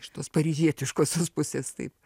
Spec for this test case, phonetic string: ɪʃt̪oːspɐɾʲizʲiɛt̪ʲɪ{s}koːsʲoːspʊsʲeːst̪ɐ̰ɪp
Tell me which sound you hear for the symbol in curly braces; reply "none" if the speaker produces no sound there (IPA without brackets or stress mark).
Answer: ʃ